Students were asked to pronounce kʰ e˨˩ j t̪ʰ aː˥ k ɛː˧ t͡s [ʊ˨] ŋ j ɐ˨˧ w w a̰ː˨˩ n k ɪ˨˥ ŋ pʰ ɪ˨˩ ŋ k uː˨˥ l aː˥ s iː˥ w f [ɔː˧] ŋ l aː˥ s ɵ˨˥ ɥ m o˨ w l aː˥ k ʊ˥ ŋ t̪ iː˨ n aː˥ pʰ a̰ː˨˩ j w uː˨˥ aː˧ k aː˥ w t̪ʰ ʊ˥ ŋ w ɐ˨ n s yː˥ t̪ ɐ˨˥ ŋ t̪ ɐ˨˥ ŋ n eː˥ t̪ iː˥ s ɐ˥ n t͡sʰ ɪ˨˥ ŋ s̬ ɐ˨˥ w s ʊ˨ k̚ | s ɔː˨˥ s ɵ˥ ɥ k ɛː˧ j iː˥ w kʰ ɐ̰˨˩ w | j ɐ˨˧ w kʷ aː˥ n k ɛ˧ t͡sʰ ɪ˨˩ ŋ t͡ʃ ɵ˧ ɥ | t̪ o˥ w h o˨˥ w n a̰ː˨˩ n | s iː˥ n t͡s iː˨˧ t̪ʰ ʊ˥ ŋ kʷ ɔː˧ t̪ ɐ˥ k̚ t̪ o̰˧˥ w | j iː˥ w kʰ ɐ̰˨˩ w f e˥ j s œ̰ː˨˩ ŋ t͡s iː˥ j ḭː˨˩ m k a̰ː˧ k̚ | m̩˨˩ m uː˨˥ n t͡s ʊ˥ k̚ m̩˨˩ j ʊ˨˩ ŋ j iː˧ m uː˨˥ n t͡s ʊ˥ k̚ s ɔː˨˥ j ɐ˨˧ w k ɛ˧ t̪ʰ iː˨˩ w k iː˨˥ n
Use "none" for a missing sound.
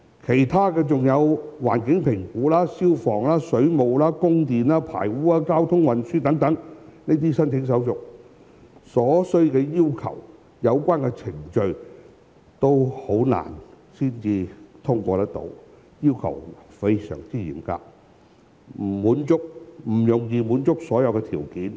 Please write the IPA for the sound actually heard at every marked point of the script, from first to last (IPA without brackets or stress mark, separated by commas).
ʊ˨, ɔː˨˩